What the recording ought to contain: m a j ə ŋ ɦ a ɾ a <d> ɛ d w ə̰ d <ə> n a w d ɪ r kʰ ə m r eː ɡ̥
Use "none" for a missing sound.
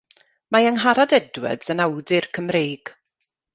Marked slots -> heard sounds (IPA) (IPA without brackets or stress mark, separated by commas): d, ə